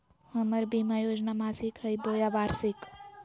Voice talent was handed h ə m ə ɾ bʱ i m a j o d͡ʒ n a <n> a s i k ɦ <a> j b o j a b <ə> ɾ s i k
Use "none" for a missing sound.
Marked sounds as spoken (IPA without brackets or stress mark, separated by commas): m, ə, a